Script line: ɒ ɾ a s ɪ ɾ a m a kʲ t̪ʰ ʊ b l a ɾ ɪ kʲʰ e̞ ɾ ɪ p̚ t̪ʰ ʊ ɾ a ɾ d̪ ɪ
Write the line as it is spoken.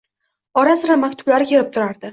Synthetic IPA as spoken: ɒ ɾ a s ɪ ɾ a m a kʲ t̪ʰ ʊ b l a ɾ ɪ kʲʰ e̞ ɾ ɪ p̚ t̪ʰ ʊ ɾ a ɾ d̪ ɪ